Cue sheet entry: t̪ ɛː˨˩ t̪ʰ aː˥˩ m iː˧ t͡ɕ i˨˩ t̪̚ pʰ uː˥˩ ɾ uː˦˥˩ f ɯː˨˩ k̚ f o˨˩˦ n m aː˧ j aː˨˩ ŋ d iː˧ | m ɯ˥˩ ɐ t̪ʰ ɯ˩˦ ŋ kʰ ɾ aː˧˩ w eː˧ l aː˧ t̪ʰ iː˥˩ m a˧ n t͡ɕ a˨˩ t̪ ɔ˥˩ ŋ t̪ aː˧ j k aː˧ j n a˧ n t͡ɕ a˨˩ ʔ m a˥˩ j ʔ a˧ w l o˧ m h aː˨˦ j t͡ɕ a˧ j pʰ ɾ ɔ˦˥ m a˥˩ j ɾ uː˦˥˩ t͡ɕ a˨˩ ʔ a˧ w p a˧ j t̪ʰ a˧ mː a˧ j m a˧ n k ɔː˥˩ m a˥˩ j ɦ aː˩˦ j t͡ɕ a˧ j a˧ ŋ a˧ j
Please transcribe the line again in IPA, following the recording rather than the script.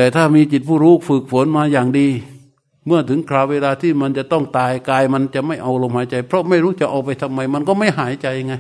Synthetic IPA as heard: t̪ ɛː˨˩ t̪ʰ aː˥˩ m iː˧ t͡ɕ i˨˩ t̪̚ pʰ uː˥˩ ɾ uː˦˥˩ f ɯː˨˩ k̚ f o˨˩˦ n m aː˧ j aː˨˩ ŋ d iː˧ | m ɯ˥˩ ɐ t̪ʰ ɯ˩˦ ŋ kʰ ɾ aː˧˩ w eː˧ l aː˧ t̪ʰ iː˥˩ m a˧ n t͡ɕ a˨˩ t̪ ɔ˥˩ ŋ t̪ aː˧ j k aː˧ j m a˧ n t͡ɕ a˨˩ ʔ m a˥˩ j ʔ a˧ w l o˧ m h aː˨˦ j t͡ɕ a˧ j pʰ ɾ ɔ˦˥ m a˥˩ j ɾ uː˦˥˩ t͡ɕ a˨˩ ʔ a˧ w p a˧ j t̪ʰ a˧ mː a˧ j m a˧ n k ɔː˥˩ m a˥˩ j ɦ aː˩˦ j t͡ɕ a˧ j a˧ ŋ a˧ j